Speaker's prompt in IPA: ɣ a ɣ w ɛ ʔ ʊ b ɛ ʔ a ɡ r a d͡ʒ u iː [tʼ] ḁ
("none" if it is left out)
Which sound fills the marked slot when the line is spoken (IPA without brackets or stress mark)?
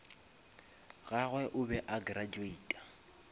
tʼ